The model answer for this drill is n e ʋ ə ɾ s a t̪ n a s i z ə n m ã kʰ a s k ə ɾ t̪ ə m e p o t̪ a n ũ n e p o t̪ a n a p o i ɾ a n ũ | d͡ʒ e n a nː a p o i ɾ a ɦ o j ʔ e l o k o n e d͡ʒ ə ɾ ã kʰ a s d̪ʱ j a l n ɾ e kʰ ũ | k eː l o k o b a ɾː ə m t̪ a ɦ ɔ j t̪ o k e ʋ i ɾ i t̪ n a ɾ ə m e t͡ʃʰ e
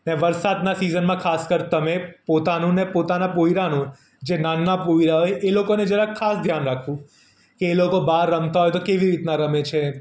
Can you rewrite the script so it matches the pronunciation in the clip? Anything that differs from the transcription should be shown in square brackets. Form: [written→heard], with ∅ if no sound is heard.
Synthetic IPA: n e ʋ ə ɾ s a [t̪→d̪] n a s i z ə n m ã kʰ a s k ə ɾ t̪ ə m e p o t̪ a n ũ n e p o t̪ a n a p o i ɾ a n ũ | d͡ʒ e n a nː a p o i ɾ a ɦ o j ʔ e l o k o n e d͡ʒ ə ɾ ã kʰ a s d̪ʱ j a [l→∅] n ɾ [e→a] kʰ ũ | k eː l o k o b a ɾː ə m t̪ a ɦ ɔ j t̪ o k e ʋ i ɾ i t̪ n a ɾ ə m e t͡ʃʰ e

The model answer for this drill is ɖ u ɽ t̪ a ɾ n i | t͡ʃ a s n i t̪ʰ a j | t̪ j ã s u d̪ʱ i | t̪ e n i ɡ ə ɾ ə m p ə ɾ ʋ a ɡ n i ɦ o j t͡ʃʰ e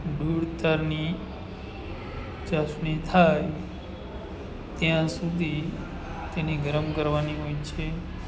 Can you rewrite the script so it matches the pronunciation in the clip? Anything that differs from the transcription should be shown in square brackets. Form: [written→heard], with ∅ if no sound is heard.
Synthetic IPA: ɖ u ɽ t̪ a ɾ n i | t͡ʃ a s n i t̪ʰ a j | t̪ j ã s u d̪ʱ i | t̪ e n i ɡ ə ɾ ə m [p→k] ə ɾ ʋ a [ɡ→∅] n i ɦ o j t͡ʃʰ e

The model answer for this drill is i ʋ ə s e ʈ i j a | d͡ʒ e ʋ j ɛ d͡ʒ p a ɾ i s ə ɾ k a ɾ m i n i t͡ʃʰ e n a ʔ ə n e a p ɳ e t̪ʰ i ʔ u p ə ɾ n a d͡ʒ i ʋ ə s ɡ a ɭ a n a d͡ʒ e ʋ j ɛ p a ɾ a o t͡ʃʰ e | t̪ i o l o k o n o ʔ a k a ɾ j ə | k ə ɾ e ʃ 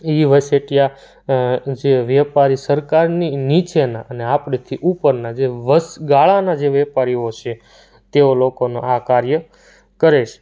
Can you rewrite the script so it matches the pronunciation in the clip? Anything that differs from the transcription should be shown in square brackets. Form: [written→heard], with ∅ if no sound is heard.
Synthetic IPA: i ʋ ə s e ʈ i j a | d͡ʒ e ʋ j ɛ [d͡ʒ→∅] p a ɾ i s ə ɾ k a ɾ [m→n] i n i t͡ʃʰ e n a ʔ ə n e a p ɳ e t̪ʰ i ʔ u p ə ɾ n a d͡ʒ [i→e] ʋ ə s ɡ a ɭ a n a d͡ʒ e ʋ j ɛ p a ɾ [a→i] o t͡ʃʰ e | t̪ [i→e] o l o k o n o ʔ a k a ɾ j ə | k ə ɾ e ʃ

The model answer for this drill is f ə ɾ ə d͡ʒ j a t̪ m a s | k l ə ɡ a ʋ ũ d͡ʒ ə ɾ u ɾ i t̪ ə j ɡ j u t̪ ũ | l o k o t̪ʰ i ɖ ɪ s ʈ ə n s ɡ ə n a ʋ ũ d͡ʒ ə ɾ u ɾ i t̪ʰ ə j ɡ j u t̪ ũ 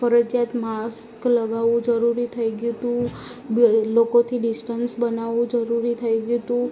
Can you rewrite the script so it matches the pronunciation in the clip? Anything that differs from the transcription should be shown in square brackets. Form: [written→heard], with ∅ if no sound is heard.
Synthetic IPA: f ə ɾ ə d͡ʒ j a t̪ m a s | k l ə ɡ a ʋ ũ d͡ʒ ə ɾ u ɾ i [t̪→t̪ʰ] ə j ɡ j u t̪ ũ | l o k o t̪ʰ i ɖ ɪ s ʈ ə n s [ɡ→b] ə n a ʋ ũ d͡ʒ ə ɾ u ɾ i t̪ʰ ə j ɡ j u t̪ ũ

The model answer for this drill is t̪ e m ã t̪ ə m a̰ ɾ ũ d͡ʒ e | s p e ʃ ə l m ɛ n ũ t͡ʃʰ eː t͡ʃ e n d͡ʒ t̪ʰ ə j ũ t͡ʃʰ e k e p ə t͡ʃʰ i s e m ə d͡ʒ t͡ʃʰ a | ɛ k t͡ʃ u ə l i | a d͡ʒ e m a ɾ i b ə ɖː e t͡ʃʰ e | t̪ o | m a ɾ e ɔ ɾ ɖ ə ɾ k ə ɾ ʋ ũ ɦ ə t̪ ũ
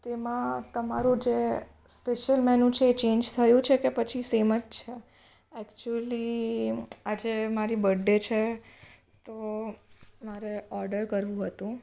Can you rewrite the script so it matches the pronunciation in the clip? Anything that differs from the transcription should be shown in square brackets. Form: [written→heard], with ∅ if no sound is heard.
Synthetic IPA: t̪ e m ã t̪ ə m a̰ ɾ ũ d͡ʒ e | s p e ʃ ə l m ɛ n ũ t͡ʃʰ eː t͡ʃ e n d͡ʒ t̪ʰ ə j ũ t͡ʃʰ e k e p ə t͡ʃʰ i s e m ə d͡ʒ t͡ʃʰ [a→e] | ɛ k t͡ʃ u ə l i | a d͡ʒ e m a ɾ i b ə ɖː e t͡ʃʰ e | t̪ o | m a ɾ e ɔ ɾ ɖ ə ɾ k ə ɾ ʋ ũ ɦ ə t̪ ũ

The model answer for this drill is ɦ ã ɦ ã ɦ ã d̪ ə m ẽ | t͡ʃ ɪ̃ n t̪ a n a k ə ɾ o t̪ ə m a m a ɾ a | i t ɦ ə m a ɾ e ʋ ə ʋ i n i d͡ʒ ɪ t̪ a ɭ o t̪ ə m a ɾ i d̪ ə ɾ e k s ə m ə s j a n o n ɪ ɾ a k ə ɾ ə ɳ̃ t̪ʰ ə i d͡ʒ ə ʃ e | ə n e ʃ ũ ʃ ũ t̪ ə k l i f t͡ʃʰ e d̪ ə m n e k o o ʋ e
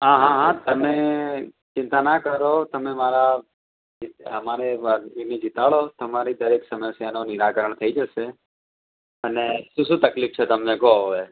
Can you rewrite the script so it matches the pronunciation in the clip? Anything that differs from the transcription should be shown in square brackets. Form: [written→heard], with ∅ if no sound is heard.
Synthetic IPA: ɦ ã ɦ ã ɦ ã [d̪→t̪] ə m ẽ | t͡ʃ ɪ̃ n t̪ a n a k ə ɾ o t̪ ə m [a→e] m a ɾ a | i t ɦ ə m a ɾ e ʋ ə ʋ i n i d͡ʒ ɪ t̪ a ɭ o t̪ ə m a ɾ i d̪ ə ɾ e k s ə m ə s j a n o n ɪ ɾ a k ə ɾ ə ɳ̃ t̪ʰ ə i d͡ʒ ə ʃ e | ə n e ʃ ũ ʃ ũ t̪ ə k l i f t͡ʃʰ e [d̪→t̪] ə m n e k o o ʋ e

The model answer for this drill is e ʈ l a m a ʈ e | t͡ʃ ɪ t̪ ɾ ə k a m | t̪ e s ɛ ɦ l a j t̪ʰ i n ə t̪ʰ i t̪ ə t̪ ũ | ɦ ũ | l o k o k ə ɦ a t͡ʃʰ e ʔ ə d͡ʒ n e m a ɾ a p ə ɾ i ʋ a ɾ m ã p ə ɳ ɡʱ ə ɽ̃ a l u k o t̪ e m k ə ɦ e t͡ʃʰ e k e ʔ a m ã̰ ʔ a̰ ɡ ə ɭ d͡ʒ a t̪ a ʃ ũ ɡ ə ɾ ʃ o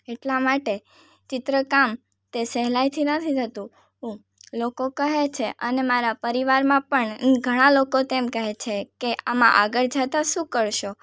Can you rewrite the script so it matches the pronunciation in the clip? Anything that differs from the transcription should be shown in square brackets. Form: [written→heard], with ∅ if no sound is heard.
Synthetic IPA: e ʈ l a m a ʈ e | t͡ʃ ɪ t̪ ɾ ə k a m | t̪ e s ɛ ɦ l a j t̪ʰ i n ə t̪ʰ i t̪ ə t̪ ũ | ɦ ũ | l o k o k ə ɦ [a→e] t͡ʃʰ e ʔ ə [d͡ʒ→∅] n e m a ɾ a p ə ɾ i ʋ a ɾ m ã p ə ɳ ɡʱ ə ɽ̃ a l [u→o] k o t̪ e m k ə ɦ e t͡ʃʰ e k e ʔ a m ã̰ ʔ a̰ ɡ ə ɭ d͡ʒ a t̪ a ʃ ũ [ɡ→k] ə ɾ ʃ o

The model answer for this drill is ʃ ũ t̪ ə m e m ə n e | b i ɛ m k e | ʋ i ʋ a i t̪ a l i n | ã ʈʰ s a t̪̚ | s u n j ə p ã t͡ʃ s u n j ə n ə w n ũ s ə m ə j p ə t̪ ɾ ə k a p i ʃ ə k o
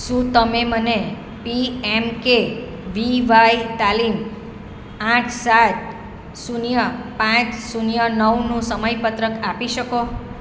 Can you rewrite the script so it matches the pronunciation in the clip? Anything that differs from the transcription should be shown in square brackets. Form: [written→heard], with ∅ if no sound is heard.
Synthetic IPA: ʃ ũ t̪ ə m e m ə n e | [b→p] i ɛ m k e | ʋ i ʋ a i t̪ a l i [n→m] | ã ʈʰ s a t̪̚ | s u n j ə p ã t͡ʃ s u n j ə n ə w n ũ s ə m ə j p ə t̪ ɾ ə k a p i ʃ ə k o

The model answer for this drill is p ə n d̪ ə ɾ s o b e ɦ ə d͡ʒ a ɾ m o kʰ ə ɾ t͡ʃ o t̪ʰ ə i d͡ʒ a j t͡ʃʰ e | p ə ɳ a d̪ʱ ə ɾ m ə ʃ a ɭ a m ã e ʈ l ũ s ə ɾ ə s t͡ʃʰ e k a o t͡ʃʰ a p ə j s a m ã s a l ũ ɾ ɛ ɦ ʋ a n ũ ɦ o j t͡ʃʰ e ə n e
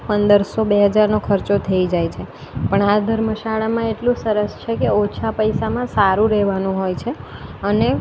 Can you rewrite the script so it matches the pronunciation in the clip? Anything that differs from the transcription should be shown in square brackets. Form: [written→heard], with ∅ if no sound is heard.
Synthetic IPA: p ə n d̪ ə ɾ s o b e ɦ ə d͡ʒ a ɾ [m→n] o kʰ ə ɾ t͡ʃ o t̪ʰ ə i d͡ʒ a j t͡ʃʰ e | p ə ɳ a d̪ʱ ə ɾ m ə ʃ a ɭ a m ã e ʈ l ũ s ə ɾ ə s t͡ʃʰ e k [a→e] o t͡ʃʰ a p ə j s a m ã s a [l→ɾ] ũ ɾ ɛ ɦ ʋ a n ũ ɦ o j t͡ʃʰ e ə n e

